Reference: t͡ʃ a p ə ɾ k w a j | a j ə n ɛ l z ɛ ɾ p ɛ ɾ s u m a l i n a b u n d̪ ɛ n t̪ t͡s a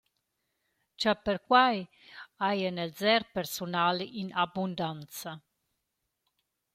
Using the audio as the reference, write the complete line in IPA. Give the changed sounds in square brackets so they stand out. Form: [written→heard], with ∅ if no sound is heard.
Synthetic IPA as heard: t͡ʃ a p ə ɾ k w a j | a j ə n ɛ l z ɛ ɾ p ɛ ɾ s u [m→n] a l i n a b u n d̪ [ɛ→a] n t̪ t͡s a